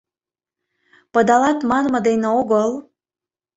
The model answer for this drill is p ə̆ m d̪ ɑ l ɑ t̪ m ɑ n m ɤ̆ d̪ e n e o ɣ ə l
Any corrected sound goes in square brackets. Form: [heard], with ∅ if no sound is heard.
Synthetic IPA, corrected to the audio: p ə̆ [∅] d̪ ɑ l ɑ t̪ m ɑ n m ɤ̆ d̪ e n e o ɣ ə l

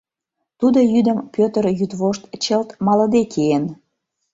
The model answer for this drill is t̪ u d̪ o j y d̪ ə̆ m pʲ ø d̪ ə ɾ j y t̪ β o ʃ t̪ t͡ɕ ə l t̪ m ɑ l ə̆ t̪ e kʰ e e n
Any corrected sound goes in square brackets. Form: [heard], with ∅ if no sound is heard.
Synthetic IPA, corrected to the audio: t̪ u d̪ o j y d̪ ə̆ m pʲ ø [t̪] ə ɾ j y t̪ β o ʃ t̪ t͡ɕ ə l t̪ m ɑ l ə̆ [d̪] e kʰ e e n

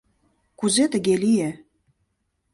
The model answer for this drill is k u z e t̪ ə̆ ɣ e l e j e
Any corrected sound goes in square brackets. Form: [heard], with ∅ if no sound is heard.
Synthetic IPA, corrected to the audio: k u z e t̪ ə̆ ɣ e l [i] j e

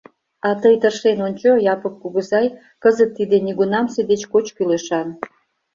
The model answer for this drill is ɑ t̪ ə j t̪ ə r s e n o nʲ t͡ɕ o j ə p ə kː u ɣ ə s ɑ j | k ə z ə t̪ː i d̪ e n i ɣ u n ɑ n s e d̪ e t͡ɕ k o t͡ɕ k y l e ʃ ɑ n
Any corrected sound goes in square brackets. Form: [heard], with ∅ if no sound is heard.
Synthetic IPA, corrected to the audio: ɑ t̪ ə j t̪ ə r [ʃ] e n o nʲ t͡ɕ o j [ɑ] p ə kː u ɣ ə [z] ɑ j | k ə z ə t̪ː i d̪ e n i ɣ u n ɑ [m] s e d̪ e t͡ɕ k o t͡ɕ k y l e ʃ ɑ n

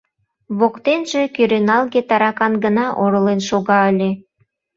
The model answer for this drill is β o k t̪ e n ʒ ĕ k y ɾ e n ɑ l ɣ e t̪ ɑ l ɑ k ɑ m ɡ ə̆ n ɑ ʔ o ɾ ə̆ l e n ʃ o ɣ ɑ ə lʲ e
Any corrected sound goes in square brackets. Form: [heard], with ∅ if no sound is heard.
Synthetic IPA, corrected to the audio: β o k t̪ e n ʒ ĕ k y ɾ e n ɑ l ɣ e t̪ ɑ [ɾ] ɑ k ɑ [n] ɡ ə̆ n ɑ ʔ o ɾ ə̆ l e n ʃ o ɣ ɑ ə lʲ e

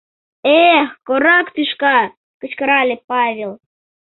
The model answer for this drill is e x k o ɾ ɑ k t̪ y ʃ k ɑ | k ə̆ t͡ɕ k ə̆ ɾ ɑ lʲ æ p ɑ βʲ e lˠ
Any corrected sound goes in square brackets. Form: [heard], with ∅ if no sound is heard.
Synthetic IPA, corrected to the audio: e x k o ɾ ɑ k t̪ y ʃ k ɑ | k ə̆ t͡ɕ k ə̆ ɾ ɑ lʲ [e] p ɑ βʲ e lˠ

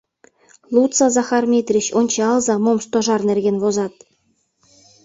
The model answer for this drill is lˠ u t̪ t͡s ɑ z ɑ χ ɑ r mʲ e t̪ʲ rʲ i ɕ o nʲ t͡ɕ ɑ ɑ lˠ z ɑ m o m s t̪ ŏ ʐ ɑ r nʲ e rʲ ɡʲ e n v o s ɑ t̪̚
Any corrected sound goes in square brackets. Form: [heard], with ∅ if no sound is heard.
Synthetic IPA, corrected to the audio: lˠ u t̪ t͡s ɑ z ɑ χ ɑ r mʲ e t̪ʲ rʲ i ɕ o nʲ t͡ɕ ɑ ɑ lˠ z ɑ m o m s t̪ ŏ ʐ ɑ r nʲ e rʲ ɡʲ e n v o [z] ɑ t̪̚

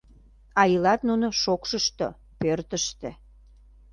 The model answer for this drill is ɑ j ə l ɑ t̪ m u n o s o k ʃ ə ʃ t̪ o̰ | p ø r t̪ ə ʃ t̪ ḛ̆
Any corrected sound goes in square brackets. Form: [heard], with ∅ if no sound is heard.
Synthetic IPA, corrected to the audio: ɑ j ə l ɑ t̪ [n] u n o [ʃ] o k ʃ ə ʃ t̪ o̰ | p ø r t̪ ə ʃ t̪ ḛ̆

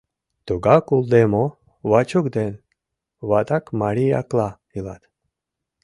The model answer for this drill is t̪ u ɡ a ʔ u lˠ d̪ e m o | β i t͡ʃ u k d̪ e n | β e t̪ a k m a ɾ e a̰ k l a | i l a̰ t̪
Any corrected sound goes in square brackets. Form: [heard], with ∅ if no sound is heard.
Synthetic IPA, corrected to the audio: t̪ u ɡ a [k] u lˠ d̪ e m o | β [a] t͡ʃ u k d̪ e n | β [a] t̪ a k m a ɾ [i] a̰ k l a | i l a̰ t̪

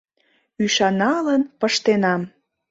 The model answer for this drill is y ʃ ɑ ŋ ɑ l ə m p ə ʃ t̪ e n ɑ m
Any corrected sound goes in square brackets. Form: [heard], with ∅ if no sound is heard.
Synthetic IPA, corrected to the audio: y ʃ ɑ [n] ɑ l ə [n] p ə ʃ t̪ e n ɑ m

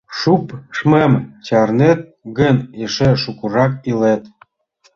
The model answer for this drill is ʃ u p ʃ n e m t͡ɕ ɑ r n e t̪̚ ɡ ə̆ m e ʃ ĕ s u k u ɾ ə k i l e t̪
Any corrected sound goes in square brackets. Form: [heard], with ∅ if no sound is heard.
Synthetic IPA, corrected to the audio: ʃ u p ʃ [m] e m t͡ɕ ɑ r n e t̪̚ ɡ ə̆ [n] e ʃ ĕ [ʃ] u k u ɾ [ɑ] k i l e t̪

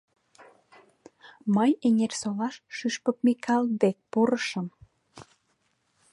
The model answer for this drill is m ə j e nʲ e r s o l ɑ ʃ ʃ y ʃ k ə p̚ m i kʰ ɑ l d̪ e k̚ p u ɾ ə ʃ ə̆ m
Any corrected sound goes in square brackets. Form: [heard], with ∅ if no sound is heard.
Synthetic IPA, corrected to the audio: m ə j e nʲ e r s o l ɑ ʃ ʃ y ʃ [p] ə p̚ m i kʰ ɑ l d̪ e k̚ p u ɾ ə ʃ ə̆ m

